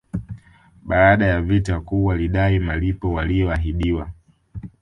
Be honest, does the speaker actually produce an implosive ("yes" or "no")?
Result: yes